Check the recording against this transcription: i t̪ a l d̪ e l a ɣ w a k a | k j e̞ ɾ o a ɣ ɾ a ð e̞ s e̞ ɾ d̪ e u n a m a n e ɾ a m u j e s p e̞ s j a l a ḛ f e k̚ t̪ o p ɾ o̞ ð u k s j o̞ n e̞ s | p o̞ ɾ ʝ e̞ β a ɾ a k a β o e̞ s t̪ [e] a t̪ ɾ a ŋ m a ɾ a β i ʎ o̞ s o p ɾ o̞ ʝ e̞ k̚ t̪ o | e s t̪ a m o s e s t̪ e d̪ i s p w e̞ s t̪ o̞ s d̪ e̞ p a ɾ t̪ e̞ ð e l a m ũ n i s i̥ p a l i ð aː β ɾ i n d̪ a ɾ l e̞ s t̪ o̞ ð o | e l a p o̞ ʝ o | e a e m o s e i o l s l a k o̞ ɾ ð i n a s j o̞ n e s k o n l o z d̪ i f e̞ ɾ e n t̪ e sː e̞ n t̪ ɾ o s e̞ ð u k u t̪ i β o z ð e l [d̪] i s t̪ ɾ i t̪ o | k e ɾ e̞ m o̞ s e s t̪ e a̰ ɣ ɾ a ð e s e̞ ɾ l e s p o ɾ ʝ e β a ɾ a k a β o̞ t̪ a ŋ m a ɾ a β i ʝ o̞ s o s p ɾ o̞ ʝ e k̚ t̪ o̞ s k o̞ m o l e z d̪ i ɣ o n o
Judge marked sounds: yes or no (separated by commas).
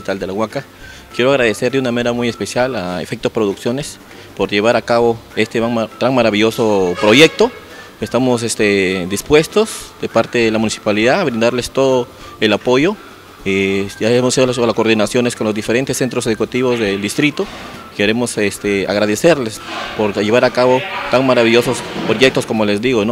yes, yes